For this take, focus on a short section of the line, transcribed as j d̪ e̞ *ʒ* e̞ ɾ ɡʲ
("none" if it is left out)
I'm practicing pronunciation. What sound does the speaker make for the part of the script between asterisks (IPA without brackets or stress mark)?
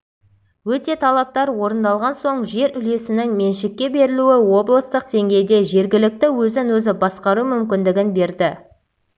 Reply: ʒ